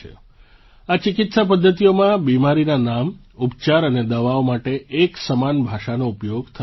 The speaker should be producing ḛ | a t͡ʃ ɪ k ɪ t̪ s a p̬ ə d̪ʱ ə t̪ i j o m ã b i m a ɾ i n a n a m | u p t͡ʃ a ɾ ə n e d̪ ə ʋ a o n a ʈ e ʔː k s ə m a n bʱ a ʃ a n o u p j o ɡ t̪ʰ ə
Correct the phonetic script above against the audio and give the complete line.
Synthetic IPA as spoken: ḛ | a t͡ʃ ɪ k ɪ t̪ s a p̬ ə d̪ʱː ə t̪ i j o m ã b i m a ɾ i n a n a m | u p t͡ʃ a ɾ ə n e d̪ ə ʋ a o m a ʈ e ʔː k s ə m a n bʱ a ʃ a n o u p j o ɡ t̪ʰ ə